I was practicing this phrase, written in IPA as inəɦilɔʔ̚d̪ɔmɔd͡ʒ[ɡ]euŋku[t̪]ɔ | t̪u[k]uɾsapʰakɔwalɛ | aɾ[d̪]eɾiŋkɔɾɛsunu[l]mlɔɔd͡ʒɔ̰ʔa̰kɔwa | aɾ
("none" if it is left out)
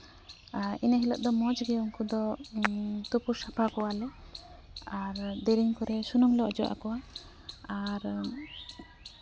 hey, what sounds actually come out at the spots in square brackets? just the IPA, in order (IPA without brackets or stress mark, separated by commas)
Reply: ɡ, d̪, p, d̪, none